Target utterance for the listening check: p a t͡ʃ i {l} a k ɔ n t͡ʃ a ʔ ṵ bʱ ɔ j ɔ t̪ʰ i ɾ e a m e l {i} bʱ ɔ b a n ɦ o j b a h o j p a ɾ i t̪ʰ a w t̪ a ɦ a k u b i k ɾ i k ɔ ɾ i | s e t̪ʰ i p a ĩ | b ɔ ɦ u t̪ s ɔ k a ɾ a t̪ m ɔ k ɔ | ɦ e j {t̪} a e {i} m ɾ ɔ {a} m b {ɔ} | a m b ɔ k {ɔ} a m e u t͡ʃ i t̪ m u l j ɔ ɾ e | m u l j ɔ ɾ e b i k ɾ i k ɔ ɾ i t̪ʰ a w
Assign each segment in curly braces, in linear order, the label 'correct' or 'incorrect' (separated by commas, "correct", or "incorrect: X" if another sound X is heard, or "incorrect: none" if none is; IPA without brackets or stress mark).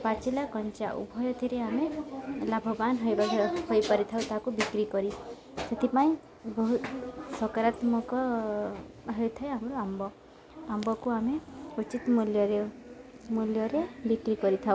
correct, incorrect: a, incorrect: t̪ʰ, incorrect: a, correct, correct, incorrect: u